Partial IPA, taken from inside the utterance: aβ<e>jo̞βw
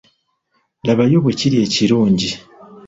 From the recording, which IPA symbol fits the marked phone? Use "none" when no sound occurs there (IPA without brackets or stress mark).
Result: a